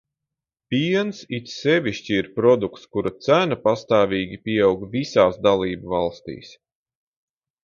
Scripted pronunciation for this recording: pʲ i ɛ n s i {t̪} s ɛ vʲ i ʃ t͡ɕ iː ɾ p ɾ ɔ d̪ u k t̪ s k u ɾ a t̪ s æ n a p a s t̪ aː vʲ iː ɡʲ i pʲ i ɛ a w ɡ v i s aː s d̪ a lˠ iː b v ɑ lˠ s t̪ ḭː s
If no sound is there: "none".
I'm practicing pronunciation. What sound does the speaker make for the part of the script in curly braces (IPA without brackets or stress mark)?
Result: t̪